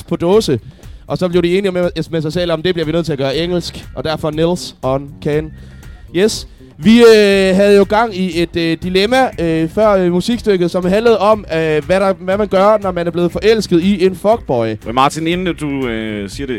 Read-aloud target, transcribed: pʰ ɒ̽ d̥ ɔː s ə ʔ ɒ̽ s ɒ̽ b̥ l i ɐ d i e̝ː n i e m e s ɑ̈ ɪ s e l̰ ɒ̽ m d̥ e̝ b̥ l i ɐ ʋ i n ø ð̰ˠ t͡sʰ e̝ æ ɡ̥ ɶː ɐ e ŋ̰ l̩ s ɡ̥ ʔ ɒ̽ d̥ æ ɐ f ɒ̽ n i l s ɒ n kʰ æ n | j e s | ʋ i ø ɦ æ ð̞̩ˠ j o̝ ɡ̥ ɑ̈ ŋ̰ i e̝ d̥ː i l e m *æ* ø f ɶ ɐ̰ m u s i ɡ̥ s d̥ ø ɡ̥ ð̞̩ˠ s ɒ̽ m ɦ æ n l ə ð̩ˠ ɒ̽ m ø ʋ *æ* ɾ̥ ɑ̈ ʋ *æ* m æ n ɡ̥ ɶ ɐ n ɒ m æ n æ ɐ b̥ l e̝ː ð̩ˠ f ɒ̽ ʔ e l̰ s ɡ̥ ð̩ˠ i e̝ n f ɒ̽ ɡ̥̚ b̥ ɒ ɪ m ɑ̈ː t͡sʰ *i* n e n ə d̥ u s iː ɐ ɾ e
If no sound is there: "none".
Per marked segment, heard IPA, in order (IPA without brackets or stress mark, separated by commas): æ, æ, æ, i